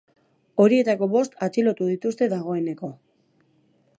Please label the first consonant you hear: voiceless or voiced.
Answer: voiced